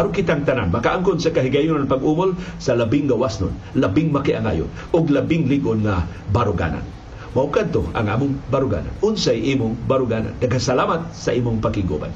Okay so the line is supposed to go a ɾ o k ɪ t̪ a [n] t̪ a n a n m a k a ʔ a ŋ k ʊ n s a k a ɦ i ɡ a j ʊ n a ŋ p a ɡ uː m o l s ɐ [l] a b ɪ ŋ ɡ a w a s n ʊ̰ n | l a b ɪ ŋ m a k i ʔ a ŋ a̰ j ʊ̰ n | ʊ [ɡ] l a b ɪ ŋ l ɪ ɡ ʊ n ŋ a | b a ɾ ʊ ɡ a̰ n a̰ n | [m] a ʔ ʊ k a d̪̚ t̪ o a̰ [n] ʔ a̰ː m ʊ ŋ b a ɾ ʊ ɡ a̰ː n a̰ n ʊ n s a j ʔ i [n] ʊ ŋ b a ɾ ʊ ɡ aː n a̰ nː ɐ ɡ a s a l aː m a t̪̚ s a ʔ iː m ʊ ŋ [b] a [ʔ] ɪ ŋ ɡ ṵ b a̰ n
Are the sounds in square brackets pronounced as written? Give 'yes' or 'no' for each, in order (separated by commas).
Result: no, yes, yes, yes, no, no, no, no